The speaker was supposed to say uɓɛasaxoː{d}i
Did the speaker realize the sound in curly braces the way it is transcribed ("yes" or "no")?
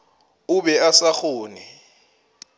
no